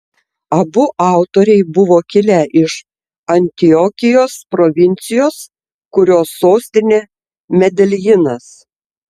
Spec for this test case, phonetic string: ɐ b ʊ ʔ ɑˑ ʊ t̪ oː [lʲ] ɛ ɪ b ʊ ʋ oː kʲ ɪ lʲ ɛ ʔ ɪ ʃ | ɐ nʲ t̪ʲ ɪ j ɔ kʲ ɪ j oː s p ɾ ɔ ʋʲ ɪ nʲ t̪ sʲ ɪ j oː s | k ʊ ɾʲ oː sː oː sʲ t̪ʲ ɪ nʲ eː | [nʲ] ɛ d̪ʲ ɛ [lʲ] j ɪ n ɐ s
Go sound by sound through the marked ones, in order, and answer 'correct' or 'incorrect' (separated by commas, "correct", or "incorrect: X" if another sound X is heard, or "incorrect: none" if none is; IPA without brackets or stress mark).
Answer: incorrect: ɾʲ, incorrect: mʲ, correct